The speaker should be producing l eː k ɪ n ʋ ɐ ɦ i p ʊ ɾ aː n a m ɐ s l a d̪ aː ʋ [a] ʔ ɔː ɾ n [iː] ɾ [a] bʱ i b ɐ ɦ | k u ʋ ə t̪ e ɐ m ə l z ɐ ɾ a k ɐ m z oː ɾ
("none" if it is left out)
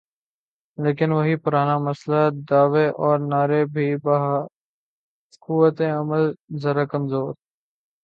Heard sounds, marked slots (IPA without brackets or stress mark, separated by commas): e, aː, e